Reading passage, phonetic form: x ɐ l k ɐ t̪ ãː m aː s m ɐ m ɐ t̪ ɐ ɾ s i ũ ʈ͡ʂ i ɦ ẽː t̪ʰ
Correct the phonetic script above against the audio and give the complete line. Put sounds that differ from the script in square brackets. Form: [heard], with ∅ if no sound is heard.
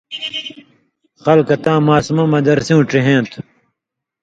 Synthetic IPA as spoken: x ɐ l k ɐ t̪ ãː m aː s m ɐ m ɐ [d̪] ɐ ɾ s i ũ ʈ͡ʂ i ɦ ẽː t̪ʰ